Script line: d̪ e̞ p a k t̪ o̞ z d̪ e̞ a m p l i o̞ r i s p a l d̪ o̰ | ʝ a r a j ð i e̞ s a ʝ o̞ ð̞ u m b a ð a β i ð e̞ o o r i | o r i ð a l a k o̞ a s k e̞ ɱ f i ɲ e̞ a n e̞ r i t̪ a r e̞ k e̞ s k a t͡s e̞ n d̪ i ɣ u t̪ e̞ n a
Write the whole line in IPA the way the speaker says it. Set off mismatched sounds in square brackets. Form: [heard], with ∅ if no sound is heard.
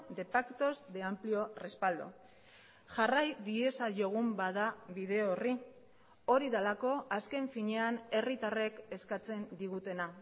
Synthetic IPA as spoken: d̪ e̞ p a k t̪ o̞ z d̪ e̞ a m p l i o̞ r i s p a l d̪ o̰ | ʝ a r a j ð i e̞ s a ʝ o̞ [ɣ̞] u m b a ð a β i ð e̞ o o r i | o [ɾ] i ð a l a k o̞ a s k e̞ ɱ f i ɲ e̞ a n e̞ r i t̪ a r e̞ k e̞ s k a t͡s e̞ n d̪ i ɣ u t̪ e̞ n a

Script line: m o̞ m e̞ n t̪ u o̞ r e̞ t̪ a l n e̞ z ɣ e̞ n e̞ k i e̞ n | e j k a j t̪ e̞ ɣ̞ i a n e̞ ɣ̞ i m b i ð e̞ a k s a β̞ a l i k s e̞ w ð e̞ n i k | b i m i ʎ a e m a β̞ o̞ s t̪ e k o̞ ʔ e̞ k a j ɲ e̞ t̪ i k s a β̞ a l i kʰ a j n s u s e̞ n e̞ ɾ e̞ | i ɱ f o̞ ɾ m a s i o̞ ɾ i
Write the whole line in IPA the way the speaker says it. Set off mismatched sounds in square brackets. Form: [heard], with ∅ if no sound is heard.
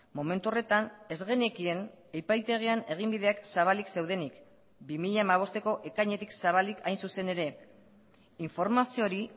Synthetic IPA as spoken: m o̞ m e̞ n t̪ u o̞ r e̞ t̪ a [∅] n e̞ z ɣ e̞ n e̞ k i e̞ n | e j [p] a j t̪ e̞ ɣ̞ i a n e̞ ɣ̞ i m b i ð e̞ a k s a β̞ a l i k s e̞ w ð e̞ n i k | b i m i ʎ a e m a β̞ o̞ s t̪ e k o̞ ʔ e̞ k a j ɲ e̞ t̪ i k s a β̞ a l i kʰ a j n s u s e̞ n e̞ ɾ e̞ | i ɱ f o̞ ɾ m a s i o̞ ɾ i

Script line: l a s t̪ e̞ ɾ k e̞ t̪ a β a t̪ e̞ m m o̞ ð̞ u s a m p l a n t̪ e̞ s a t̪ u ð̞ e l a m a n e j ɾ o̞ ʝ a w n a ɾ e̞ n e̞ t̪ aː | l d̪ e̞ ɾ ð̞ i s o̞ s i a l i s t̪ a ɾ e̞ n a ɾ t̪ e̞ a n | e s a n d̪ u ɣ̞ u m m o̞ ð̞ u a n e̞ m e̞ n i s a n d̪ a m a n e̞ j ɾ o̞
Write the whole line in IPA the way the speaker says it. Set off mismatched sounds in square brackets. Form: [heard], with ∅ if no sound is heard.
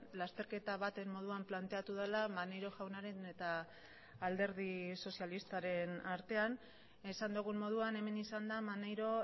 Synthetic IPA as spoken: l a s t̪ e̞ ɾ k e̞ t̪ a β a t̪ e̞ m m o̞ ð̞ u [∅] a m p l a n t̪ e̞ [∅] a t̪ u ð̞ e l a m a n e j ɾ o̞ ʝ a w n a ɾ e̞ n e̞ t̪ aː | l d̪ e̞ ɾ ð̞ i s o̞ s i a l i s t̪ a ɾ e̞ n a ɾ t̪ e̞ a n | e s a n d̪ u ɣ̞ u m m o̞ ð̞ u a n e̞ m e̞ n i s a n d̪ a m a n e̞ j ɾ o̞

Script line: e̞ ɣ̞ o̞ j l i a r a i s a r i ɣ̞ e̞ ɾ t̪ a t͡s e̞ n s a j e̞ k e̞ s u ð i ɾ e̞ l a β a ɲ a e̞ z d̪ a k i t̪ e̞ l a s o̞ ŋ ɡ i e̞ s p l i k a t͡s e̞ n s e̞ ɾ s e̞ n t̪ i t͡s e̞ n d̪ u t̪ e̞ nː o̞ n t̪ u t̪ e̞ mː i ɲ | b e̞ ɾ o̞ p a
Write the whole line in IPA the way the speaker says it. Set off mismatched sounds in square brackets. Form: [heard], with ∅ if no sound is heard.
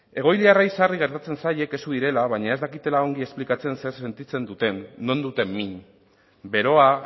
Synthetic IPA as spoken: e̞ ɣ̞ o̞ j l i a r a i s a r i ɣ̞ e̞ ɾ t̪ a t͡s e̞ n s a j e̞ k e̞ s u ð i ɾ e̞ l a β a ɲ a e̞ z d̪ a k i t̪ e̞ l a [∅] o̞ ŋ ɡ i e̞ s p l i k a t͡s e̞ n s e̞ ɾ s e̞ n t̪ i t͡s e̞ n d̪ u t̪ e̞ nː o̞ n [d̪] u t̪ e̞ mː i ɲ | b e̞ ɾ o̞ [∅] a

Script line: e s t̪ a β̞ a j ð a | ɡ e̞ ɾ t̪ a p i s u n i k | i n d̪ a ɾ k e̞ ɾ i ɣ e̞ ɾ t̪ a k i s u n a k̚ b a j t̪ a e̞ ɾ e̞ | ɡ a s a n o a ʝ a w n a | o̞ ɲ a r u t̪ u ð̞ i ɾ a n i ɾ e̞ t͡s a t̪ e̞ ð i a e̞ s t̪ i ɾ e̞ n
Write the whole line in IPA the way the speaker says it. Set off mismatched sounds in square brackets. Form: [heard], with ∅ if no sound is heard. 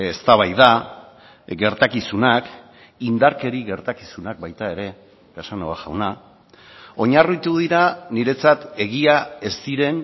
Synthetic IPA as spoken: e s t̪ a β̞ a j ð a | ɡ e̞ ɾ t̪ a [k] i s u n [a] k | i n d̪ a ɾ k e̞ ɾ i ɣ e̞ ɾ t̪ a k i s u n a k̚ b a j t̪ a e̞ ɾ e̞ | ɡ a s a n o a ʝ a w n a | o̞ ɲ a r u t̪ u ð̞ i ɾ a n i ɾ e̞ t͡s a t̪ e̞ [ɣ] i a e̞ s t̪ i ɾ e̞ n

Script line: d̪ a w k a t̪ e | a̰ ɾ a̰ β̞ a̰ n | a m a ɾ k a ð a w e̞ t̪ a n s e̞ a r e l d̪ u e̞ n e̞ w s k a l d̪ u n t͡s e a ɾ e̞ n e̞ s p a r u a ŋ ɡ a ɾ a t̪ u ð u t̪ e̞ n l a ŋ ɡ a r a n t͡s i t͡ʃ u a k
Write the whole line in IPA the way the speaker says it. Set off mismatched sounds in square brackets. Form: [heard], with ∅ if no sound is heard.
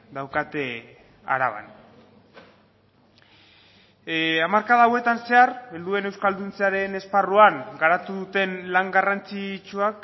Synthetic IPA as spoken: d̪ a w k a t̪ e | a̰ ɾ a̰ β̞ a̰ n | a m a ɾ k a ð a w e̞ t̪ a n s e̞ a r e l d̪ u e̞ n e̞ w s k a l d̪ u n t͡s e a ɾ e̞ n e̞ s p a r u a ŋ ɡ a ɾ a t̪ u ð u t̪ e̞ n l a ŋ ɡ a r a n t͡s i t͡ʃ u a k

